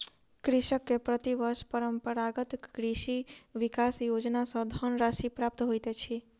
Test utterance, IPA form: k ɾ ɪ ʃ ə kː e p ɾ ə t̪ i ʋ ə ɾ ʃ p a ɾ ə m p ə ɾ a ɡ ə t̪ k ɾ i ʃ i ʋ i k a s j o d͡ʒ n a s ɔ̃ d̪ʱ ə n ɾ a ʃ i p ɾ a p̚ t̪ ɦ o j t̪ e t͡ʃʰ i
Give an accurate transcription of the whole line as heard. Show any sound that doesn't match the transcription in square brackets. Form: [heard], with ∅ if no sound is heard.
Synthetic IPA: k ɾ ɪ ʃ ə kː e p ɾ ə t̪ i ʋ ə ɾ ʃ p [ə] ɾ ə m p ə ɾ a ɡ ə t̪ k ɾ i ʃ i ʋ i k a s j o d͡ʒ n a s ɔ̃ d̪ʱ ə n ɾ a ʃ i p ɾ a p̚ t̪ ɦ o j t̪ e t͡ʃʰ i